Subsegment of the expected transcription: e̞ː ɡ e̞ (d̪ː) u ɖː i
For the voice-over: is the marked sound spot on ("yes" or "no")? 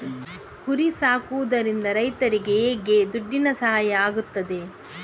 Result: no